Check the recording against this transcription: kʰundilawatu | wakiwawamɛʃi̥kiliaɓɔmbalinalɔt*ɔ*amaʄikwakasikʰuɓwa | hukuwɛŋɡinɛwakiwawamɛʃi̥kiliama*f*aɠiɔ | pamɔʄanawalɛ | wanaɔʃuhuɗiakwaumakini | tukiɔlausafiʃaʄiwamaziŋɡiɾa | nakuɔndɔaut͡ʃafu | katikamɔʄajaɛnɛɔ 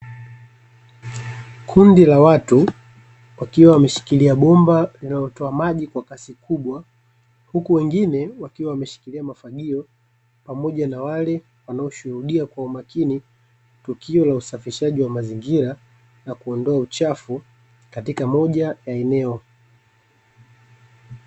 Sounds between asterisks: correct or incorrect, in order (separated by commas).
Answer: correct, correct